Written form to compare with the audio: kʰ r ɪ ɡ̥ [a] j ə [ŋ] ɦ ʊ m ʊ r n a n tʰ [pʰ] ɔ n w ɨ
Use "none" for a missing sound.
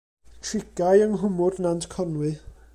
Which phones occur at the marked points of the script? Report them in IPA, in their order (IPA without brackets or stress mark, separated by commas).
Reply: a, ŋ, kʰ